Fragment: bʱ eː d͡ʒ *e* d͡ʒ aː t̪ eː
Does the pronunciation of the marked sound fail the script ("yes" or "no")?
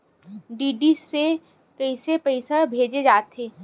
no